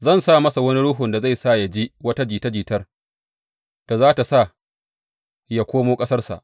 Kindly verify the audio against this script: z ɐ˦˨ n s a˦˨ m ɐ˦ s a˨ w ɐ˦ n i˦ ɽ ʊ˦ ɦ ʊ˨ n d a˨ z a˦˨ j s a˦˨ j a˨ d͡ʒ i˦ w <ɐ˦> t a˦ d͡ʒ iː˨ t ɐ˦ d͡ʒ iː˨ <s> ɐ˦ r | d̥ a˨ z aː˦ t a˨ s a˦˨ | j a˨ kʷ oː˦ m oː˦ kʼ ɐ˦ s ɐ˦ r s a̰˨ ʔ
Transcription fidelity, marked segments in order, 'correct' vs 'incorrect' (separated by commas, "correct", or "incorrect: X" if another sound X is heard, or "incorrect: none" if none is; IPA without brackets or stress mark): correct, incorrect: t